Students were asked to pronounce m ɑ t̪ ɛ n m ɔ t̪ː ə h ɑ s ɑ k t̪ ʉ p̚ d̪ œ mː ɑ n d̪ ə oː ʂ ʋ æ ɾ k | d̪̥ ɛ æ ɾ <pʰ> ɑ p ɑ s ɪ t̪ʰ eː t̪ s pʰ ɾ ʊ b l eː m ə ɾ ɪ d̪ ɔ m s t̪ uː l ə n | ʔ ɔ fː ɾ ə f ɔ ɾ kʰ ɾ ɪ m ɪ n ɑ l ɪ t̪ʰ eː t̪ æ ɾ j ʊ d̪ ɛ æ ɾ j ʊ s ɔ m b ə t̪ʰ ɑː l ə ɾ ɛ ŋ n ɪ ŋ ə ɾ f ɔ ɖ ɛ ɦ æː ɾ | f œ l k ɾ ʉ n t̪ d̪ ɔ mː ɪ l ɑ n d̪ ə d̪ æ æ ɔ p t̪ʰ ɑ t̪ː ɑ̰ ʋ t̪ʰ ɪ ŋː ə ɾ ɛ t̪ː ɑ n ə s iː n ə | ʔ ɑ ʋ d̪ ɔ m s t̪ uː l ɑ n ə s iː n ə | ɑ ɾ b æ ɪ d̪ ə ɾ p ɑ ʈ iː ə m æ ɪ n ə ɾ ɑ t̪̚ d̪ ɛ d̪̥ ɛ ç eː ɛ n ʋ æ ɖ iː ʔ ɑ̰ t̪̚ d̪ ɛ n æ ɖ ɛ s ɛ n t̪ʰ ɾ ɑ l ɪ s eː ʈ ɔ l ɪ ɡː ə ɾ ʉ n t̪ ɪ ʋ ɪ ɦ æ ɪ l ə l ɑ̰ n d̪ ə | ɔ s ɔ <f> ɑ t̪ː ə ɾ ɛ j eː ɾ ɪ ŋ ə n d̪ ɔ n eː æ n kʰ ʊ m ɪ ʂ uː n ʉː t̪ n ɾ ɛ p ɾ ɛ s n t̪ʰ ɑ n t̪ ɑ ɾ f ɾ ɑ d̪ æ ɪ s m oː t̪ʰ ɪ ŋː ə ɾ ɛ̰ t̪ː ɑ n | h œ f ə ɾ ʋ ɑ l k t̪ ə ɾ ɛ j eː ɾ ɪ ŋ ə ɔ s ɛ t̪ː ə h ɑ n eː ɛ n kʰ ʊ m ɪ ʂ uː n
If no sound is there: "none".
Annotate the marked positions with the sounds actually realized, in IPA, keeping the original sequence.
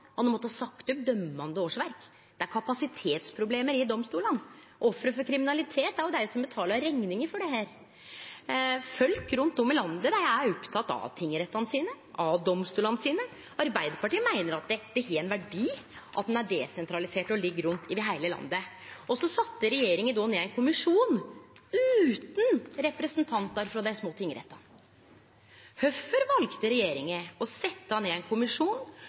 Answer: kʰ, s

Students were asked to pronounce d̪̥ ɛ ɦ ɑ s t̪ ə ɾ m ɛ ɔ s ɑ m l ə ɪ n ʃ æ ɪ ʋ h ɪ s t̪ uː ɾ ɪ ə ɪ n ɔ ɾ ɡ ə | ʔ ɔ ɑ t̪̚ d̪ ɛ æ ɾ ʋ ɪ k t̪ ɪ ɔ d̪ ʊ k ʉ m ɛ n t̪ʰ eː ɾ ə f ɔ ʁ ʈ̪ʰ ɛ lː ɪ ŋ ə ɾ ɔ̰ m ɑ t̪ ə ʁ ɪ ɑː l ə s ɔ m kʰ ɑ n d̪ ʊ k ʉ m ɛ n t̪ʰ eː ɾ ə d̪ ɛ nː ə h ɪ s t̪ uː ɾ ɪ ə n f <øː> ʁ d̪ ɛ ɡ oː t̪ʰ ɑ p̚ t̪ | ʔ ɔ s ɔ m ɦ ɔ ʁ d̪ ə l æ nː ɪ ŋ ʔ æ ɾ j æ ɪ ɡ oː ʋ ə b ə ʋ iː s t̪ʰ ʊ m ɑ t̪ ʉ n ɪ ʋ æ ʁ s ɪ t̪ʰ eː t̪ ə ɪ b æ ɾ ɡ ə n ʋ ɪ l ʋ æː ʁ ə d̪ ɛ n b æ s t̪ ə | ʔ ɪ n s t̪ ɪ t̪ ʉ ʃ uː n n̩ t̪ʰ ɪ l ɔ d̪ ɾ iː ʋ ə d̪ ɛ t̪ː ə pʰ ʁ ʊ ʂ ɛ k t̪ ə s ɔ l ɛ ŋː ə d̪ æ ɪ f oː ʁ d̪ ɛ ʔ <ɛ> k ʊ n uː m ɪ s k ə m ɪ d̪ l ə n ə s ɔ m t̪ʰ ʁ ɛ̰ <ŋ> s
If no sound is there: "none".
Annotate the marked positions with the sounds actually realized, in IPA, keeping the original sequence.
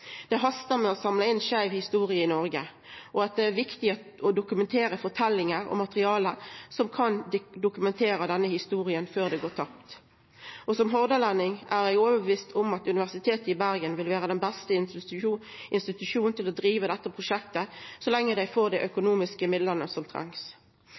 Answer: øː, œ, ŋ

